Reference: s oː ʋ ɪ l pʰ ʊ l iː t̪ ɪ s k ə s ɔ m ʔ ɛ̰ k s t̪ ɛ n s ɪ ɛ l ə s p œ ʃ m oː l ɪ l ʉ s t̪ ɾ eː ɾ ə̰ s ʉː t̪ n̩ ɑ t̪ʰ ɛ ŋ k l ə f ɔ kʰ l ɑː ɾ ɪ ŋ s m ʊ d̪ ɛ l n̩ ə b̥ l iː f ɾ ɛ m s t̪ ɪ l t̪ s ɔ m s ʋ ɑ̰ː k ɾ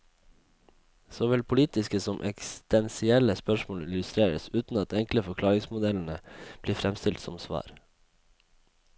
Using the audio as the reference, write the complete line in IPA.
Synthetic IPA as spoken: s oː ʋ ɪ l pʰ ʊ l iː t̪ ɪ s k ə s ɔ m ʔ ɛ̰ k s t̪ ɛ n s ɪ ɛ l ə s p œ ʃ m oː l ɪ l ʉ s t̪ ɾ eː ɾ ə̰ s ʉː t̪ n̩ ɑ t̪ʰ ɛ ŋ k l ə f ɔ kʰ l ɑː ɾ ɪ ŋ s m ʊ d̪ ɛ l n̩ ə b̥ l iː f ɾ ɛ m s t̪ ɪ l t̪ s ɔ m s ʋ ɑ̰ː ɾ